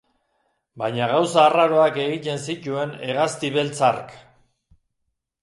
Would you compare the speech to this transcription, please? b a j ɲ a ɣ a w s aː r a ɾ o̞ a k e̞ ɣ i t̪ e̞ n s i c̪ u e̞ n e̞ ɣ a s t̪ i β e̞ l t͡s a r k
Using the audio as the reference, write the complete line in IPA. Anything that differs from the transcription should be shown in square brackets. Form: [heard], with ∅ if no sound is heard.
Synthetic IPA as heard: b a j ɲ a ɣ a w s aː r a ɾ o̞ a k e̞ ɣ i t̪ e̞ n s i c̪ u e̞ n e̞ ɣ a s t̪ i β e̞ l t͡s a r k